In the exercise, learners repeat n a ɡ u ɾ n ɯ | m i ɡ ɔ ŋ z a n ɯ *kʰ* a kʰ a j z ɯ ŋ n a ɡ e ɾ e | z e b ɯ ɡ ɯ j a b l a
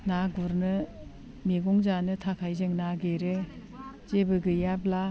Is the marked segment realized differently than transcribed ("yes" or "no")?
yes